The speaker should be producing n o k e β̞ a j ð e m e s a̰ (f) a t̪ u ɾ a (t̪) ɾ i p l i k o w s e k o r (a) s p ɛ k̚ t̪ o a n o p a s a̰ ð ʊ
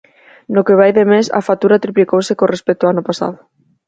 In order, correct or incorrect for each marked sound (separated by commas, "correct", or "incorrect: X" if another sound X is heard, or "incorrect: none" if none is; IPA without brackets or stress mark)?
correct, correct, incorrect: e